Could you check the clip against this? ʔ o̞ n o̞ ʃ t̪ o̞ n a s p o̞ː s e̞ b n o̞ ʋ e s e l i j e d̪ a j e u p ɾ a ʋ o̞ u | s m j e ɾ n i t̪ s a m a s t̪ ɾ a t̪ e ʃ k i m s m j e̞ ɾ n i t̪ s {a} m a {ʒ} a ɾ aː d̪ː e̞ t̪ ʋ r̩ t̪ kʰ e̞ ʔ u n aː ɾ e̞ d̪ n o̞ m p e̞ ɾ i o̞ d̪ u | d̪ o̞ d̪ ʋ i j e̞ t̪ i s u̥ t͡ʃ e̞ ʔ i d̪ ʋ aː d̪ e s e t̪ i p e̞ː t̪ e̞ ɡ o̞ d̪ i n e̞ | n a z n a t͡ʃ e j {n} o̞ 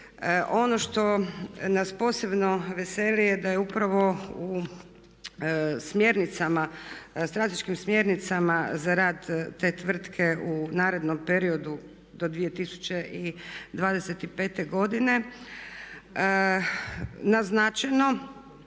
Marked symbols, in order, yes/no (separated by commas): yes, no, yes